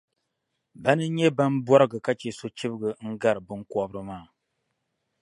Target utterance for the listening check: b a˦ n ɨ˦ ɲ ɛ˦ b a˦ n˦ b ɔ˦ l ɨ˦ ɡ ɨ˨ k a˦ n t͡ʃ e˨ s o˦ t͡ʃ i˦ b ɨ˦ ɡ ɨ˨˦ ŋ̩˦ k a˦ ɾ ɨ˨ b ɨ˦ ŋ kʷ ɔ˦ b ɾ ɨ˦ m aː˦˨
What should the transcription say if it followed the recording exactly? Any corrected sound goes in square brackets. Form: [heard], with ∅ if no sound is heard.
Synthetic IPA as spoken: b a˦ n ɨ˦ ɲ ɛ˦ b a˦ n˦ b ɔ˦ [ɾ] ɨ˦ ɡ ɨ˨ k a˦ [∅] t͡ʃ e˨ s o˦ t͡ʃ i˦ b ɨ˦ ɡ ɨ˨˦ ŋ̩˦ [ɡ] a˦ ɾ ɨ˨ b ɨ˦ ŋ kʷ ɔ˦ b ɾ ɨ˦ m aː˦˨